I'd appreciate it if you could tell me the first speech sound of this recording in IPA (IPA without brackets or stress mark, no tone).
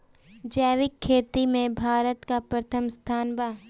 d͡ʒ